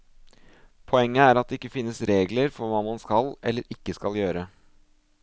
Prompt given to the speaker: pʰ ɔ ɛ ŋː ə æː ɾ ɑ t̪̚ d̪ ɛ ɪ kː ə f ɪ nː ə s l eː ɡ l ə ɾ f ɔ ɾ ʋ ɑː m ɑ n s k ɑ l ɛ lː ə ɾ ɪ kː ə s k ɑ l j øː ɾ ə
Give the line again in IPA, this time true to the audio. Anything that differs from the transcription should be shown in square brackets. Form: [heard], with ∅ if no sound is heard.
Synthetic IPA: pʰ ɔ ɛ ŋː ə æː ɾ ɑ t̪̚ d̪ ɛ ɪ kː ə f ɪ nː ə s [ɾ] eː ɡ l ə ɾ f ɔ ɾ ʋ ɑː m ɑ n s k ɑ l ɛ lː ə ɾ ɪ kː ə s k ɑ l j øː ɾ ə